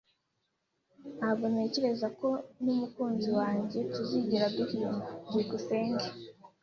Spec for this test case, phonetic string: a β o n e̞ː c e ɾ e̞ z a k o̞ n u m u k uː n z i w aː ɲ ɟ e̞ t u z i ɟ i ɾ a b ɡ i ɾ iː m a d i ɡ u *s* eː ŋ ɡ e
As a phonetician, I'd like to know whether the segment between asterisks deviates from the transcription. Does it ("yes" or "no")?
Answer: no